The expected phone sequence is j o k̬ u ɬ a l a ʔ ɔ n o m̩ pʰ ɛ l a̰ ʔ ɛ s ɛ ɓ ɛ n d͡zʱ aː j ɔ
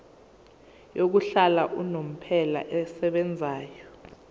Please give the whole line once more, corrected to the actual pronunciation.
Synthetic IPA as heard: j o k̬ u ɬ a l a ʔ u n o m̩ pʰ ɛ l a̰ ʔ ɛ s ɛ ɓ ɛ n d͡zʱ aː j ɔ